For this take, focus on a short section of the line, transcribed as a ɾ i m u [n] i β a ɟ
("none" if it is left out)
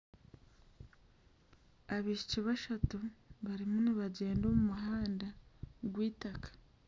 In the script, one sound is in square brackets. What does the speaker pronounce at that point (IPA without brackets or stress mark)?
n